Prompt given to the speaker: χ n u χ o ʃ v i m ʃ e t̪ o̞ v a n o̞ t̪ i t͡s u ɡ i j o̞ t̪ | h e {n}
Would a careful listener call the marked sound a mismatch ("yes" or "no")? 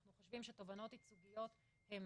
yes